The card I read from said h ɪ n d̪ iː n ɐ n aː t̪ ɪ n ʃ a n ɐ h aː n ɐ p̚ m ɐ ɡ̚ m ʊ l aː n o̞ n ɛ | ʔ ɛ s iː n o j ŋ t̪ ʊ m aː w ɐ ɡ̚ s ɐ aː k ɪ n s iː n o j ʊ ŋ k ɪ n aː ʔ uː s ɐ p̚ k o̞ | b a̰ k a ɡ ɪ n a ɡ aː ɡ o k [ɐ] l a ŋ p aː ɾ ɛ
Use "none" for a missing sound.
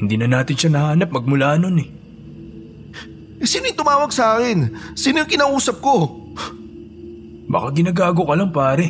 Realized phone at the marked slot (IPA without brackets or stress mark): ɐ